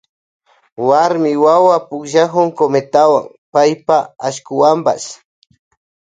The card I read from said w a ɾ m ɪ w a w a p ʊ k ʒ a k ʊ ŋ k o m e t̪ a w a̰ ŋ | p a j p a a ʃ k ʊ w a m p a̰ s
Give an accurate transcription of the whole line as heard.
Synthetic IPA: w a ɾ m ɪ w a w a p ʊ k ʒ a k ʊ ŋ k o m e t̪ a w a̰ ŋ | p a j p a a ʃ k ʊ w a m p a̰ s